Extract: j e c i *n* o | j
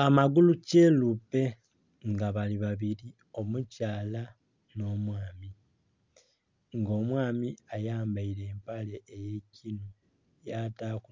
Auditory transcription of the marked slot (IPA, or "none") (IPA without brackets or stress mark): n